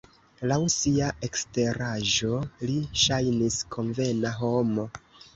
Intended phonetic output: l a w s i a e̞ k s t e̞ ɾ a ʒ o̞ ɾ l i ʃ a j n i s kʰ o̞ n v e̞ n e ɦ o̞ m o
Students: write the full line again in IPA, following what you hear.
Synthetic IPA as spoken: l a w s i a e̞ k s t e̞ ɾ a ʒ o̞ l i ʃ a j n i s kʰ o̞ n v e̞ n a ɦ o̞ m o